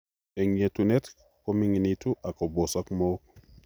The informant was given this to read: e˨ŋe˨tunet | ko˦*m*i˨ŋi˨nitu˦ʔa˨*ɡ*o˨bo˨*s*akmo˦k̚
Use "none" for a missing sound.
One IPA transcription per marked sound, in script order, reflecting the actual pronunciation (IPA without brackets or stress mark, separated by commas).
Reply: m, k, s